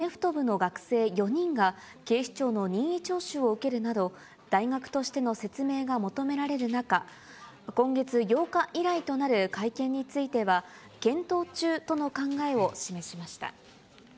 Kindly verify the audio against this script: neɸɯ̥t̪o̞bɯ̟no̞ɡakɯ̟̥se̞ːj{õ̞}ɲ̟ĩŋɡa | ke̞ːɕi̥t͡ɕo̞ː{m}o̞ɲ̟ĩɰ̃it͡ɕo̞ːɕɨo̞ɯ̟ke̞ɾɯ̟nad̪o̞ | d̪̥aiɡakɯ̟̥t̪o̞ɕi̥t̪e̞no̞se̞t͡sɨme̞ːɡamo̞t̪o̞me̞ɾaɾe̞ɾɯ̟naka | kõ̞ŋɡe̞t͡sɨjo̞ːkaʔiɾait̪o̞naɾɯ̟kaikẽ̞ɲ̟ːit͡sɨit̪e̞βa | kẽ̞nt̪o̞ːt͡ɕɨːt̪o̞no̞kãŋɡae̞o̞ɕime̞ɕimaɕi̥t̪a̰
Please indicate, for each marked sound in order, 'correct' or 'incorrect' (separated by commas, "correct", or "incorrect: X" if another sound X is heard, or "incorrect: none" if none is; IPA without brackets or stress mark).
incorrect: o̞, incorrect: n